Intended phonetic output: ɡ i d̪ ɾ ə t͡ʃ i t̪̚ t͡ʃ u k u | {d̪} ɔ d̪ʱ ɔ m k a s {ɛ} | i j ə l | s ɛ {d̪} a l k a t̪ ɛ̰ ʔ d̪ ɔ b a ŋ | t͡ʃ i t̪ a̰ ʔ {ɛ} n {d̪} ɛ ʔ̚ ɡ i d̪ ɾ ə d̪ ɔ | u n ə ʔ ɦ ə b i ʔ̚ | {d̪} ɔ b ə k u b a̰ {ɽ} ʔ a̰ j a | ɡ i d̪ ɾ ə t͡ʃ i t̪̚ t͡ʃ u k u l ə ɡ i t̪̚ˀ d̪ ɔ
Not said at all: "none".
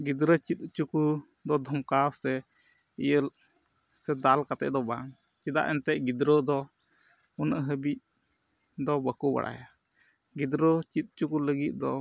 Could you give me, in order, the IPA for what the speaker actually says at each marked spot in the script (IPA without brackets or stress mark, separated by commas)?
d̪, ɛ, d̪, ɛ, t̪, d̪, ɽ